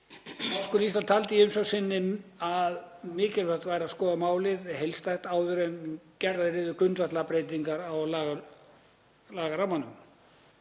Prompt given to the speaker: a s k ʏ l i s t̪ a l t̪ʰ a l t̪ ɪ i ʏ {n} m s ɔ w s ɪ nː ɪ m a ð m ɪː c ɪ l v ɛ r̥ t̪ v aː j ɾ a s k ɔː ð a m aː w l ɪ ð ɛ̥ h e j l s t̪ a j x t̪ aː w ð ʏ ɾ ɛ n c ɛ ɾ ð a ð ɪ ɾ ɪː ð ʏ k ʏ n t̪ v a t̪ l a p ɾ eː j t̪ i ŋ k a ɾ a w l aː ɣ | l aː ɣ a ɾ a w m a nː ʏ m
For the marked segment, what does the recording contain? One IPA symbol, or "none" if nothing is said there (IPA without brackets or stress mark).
none